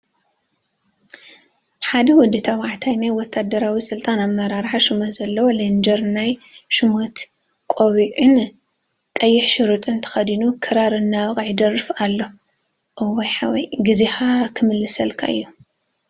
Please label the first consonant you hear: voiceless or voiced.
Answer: voiceless